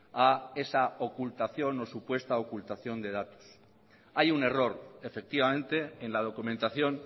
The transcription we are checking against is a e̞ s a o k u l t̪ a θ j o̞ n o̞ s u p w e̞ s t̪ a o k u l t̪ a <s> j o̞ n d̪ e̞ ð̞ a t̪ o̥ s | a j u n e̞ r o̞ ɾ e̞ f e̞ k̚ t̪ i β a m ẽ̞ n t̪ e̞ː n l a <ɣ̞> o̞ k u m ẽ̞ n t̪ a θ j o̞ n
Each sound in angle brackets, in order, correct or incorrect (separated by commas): incorrect, incorrect